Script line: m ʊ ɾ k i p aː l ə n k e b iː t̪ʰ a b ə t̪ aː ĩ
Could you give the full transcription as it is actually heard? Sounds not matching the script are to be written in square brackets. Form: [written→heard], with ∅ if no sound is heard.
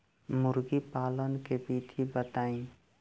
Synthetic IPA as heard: m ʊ ɾ [k→ɡ] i p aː l ə n k e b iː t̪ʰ [a→i] b ə t̪ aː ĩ